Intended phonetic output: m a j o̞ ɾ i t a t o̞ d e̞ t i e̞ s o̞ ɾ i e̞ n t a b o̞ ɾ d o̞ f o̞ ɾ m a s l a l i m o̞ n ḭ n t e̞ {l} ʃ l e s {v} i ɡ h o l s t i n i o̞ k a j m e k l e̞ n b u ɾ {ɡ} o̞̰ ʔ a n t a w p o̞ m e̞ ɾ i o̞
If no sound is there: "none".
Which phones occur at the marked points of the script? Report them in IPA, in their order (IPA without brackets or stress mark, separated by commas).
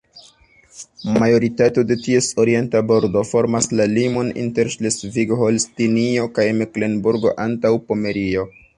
ɾ, v, ɡ